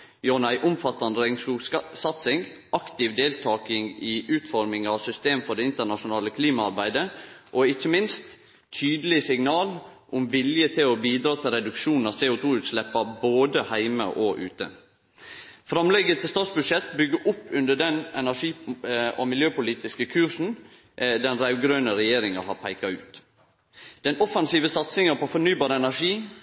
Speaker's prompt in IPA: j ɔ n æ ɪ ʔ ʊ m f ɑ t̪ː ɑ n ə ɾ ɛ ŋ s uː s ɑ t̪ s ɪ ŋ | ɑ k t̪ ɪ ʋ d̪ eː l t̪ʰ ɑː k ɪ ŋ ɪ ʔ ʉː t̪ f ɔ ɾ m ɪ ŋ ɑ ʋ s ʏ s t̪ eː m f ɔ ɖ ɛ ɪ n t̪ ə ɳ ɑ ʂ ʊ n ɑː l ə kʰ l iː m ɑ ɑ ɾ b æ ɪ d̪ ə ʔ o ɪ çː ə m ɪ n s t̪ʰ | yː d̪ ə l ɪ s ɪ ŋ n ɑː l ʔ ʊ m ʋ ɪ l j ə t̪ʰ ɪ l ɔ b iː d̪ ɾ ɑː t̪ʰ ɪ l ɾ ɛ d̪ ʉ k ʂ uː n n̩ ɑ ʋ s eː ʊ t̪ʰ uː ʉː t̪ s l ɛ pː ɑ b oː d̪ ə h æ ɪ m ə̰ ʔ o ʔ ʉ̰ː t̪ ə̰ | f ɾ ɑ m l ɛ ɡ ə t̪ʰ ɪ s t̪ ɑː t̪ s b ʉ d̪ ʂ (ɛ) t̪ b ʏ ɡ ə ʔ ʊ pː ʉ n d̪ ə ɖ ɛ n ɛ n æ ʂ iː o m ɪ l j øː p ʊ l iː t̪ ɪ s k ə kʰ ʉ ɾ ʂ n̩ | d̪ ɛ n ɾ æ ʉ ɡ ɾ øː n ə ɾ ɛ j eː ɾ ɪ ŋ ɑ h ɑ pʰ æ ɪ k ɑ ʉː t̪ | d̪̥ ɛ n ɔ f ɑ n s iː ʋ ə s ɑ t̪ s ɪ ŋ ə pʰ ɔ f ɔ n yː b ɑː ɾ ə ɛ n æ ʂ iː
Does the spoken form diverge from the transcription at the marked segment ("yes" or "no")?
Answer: no